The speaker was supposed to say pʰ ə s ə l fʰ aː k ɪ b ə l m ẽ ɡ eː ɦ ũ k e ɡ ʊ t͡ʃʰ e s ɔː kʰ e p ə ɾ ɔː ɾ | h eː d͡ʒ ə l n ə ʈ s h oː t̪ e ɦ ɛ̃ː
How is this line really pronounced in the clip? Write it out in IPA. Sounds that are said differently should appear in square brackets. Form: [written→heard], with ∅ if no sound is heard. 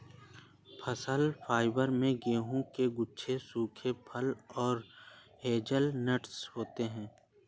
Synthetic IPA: pʰ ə s ə l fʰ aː [k→∅] ɪ b ə [l→ɾ] m ẽ ɡ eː ɦ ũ k e ɡ ʊ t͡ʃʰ e s [ɔː→uː] kʰ e [p→pʰ] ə [ɾ→l] ɔː ɾ | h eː d͡ʒ ə l n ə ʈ s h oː t̪ e ɦ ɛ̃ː